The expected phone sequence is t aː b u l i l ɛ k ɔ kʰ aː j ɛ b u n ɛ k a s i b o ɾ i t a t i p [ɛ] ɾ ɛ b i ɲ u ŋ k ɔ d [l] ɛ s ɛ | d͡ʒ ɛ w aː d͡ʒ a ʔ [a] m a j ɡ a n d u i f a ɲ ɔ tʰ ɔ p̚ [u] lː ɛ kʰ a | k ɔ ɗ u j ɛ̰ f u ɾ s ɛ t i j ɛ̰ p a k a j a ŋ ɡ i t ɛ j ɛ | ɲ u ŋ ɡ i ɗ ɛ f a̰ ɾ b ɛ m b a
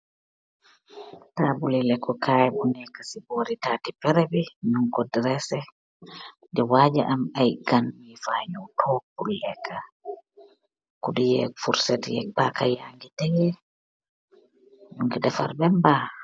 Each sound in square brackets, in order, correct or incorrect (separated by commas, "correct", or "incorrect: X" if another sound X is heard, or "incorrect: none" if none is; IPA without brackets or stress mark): correct, incorrect: ɾ, correct, correct